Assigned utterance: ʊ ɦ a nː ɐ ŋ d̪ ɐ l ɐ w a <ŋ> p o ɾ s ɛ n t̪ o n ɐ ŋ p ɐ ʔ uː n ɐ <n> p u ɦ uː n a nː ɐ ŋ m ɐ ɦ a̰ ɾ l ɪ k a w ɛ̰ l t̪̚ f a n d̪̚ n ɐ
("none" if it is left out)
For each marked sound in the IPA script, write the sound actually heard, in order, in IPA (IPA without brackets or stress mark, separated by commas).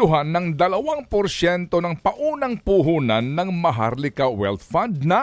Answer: ŋ, ŋ